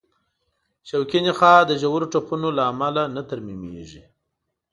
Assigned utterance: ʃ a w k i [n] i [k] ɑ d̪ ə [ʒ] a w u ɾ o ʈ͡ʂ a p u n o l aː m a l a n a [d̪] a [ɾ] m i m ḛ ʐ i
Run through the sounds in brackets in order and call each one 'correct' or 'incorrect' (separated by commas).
correct, incorrect, correct, incorrect, correct